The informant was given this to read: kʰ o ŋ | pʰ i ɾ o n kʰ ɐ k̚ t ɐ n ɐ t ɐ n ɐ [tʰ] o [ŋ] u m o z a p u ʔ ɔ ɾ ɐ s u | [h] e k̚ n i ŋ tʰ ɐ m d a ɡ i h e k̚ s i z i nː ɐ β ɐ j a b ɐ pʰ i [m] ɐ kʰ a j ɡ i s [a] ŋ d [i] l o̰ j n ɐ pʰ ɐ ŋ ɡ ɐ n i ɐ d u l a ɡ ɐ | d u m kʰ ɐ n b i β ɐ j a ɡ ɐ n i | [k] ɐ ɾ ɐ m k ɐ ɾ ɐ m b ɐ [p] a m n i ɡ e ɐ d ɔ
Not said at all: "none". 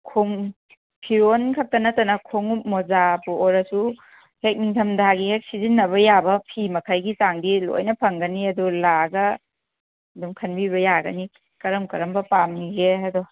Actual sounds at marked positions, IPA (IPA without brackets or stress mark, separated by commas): kʰ, ŋ, h, m, a, i, k, p